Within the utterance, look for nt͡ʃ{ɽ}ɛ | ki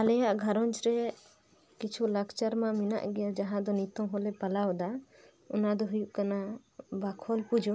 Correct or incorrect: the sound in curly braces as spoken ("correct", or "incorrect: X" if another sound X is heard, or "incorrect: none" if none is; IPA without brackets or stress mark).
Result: incorrect: ɾ